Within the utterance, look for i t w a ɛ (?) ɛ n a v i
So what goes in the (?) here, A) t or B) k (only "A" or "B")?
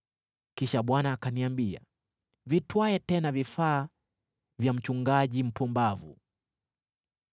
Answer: A